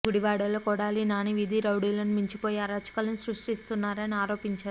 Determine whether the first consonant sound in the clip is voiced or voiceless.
voiced